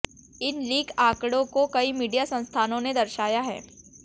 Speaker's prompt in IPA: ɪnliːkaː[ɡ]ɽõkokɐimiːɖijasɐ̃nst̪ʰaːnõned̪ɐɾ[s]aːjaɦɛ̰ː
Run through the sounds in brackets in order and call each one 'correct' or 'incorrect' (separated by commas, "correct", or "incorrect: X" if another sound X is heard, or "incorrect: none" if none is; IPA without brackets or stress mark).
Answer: incorrect: k, incorrect: ʃ